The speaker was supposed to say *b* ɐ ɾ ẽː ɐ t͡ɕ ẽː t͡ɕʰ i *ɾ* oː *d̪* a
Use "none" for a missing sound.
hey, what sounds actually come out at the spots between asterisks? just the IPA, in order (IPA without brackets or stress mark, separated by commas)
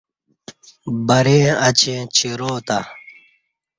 b, ɾ, t̪